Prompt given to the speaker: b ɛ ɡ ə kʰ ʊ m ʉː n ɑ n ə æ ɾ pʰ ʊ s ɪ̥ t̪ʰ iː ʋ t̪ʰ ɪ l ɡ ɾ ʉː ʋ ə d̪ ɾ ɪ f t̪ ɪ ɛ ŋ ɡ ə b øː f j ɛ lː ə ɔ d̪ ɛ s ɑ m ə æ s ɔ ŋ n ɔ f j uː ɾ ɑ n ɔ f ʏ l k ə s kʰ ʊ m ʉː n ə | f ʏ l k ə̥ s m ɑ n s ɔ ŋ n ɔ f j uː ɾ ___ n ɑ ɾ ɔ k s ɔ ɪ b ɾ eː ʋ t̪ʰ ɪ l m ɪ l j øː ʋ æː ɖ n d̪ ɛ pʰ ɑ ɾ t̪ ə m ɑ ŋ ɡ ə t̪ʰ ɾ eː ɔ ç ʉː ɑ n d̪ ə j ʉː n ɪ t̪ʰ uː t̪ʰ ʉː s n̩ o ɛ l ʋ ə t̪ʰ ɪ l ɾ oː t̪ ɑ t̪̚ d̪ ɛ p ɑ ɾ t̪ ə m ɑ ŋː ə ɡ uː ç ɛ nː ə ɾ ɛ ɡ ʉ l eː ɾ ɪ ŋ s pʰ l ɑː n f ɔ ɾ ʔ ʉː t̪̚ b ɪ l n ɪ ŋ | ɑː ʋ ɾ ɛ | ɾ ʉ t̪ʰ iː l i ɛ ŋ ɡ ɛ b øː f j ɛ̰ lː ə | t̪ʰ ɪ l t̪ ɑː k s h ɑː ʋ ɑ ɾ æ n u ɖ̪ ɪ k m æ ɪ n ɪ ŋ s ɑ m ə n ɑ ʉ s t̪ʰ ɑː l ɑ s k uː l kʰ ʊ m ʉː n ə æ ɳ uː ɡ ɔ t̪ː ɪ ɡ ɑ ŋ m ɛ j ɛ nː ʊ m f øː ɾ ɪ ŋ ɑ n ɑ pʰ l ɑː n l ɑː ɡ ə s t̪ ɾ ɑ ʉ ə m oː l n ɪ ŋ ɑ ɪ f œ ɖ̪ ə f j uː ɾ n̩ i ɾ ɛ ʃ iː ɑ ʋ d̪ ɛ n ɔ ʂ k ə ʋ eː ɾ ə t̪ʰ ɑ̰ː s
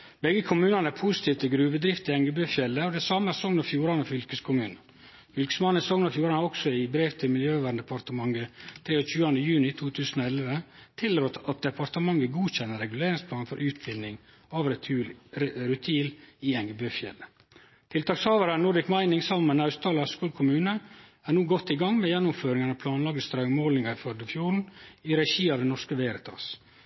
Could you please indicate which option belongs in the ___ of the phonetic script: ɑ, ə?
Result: ɑ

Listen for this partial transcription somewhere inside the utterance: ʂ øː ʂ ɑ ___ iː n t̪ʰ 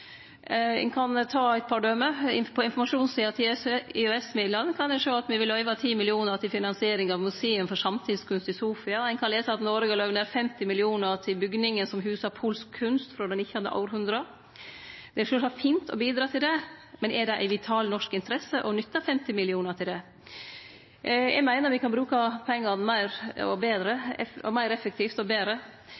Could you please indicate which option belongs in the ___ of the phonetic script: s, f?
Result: f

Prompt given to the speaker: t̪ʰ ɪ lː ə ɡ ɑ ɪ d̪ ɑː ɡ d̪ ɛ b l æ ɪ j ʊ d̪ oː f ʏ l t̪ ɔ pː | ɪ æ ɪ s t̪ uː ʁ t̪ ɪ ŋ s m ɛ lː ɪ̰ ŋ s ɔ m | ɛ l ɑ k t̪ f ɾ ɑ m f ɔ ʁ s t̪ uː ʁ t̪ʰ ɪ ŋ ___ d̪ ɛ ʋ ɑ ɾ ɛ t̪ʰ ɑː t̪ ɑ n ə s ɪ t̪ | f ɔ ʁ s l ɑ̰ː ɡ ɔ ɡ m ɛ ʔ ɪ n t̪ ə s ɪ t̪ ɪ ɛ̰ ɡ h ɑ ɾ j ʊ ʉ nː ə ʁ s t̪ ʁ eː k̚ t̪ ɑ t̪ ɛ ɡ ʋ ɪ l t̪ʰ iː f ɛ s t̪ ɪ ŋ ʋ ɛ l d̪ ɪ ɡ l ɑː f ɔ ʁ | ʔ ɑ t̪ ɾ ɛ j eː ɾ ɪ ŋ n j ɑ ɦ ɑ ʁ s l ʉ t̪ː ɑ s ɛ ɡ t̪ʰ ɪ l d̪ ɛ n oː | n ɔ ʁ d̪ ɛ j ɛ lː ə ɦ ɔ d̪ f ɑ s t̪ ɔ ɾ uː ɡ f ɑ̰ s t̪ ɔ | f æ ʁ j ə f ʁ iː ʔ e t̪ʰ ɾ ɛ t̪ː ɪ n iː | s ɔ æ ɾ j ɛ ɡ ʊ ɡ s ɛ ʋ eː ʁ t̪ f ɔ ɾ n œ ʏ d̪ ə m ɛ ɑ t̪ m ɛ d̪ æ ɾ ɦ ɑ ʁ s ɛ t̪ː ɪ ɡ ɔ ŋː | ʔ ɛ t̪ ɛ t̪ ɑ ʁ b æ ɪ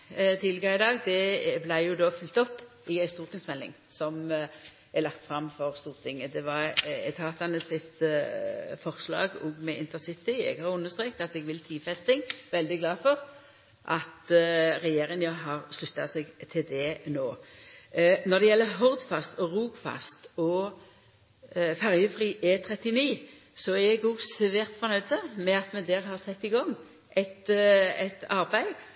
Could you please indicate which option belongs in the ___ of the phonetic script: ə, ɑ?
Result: ə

